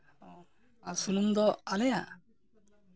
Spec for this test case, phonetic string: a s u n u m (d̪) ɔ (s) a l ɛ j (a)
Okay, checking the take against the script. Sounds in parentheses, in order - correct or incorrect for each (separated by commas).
correct, incorrect, correct